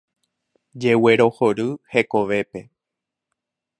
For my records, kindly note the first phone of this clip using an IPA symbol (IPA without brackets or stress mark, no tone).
d͡ʒ